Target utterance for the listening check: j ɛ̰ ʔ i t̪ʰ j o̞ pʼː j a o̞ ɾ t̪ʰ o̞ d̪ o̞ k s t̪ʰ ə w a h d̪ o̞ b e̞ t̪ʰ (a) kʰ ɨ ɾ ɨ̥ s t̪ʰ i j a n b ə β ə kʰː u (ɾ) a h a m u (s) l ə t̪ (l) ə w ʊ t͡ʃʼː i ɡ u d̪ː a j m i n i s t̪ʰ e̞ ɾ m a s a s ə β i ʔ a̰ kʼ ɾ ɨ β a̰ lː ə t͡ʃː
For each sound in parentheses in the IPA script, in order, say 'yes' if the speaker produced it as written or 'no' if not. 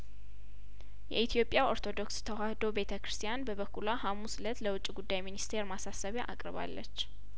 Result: no, no, yes, yes

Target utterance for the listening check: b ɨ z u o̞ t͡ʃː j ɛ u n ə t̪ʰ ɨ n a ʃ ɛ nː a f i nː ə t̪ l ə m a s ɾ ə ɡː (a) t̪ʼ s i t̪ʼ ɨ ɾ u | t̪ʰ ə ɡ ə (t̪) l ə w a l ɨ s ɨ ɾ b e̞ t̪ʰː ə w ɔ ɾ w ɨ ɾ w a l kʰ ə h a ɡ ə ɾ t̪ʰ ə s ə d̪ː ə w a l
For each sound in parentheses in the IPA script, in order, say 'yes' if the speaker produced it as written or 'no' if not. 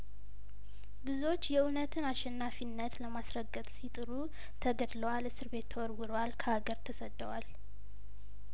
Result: no, no

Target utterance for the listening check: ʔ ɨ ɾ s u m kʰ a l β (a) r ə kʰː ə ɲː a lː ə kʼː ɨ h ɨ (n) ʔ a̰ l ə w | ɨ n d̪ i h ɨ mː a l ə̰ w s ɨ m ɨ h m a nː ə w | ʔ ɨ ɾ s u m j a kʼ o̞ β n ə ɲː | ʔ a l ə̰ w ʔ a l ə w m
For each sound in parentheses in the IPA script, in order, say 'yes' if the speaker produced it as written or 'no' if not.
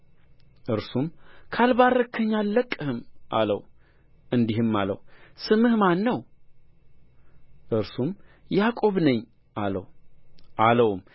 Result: yes, no

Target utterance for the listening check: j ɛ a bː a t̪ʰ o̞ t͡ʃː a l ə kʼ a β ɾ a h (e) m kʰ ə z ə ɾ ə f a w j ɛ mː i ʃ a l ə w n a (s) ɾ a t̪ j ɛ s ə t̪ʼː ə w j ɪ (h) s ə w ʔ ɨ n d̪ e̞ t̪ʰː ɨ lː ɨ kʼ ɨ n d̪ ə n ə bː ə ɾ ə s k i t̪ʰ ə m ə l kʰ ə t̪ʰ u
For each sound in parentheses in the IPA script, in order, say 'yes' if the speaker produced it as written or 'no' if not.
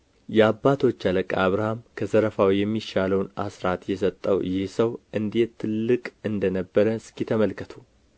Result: no, yes, yes

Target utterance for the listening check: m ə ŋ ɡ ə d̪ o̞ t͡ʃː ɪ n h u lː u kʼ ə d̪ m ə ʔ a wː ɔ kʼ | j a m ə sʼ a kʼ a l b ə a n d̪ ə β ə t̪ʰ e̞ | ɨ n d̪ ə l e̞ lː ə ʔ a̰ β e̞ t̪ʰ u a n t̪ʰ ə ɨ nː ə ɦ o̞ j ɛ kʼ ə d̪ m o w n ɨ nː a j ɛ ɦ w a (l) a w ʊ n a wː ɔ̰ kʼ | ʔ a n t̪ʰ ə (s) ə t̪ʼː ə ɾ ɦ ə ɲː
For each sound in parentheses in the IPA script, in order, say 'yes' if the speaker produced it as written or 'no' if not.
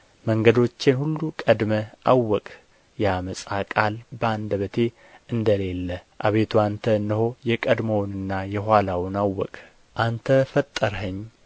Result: yes, no

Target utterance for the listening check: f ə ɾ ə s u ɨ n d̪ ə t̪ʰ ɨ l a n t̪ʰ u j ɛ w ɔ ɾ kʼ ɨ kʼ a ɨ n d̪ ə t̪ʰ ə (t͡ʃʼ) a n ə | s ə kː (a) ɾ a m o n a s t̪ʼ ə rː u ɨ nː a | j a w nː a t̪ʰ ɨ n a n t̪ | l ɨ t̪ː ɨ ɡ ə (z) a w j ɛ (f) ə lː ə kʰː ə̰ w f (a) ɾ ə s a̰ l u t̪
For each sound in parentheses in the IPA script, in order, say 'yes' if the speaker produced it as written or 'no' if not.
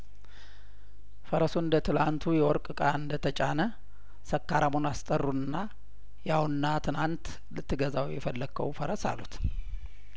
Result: yes, yes, yes, yes, no

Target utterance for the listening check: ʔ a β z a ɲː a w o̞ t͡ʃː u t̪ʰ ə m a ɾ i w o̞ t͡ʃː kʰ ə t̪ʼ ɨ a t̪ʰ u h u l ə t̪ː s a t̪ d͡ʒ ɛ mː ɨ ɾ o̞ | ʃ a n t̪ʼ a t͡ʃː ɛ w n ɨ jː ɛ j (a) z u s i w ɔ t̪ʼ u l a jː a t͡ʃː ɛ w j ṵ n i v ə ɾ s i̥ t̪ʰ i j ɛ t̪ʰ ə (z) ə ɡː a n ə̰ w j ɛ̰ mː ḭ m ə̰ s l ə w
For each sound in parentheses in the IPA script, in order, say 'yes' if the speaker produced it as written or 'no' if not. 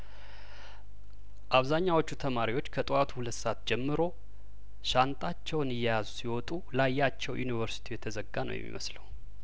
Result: yes, yes

